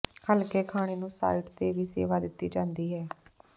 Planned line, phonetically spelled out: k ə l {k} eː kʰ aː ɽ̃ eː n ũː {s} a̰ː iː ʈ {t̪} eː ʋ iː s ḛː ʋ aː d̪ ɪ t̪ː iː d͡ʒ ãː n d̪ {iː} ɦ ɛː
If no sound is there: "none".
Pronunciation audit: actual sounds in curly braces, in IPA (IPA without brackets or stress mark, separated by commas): k, s, t̪, iː